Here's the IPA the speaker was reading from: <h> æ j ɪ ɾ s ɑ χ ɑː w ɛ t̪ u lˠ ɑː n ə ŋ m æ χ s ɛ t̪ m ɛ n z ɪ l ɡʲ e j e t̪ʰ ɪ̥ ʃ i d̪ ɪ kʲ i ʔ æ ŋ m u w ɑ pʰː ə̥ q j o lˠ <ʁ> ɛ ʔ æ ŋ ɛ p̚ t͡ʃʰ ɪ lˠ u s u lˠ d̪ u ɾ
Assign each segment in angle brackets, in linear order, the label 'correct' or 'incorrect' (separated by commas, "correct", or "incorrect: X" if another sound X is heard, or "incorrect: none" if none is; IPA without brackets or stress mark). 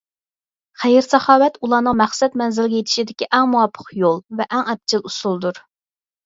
incorrect: χ, incorrect: v